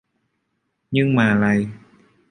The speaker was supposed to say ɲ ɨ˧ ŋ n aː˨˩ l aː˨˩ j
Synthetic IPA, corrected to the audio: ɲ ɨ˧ ŋ m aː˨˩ l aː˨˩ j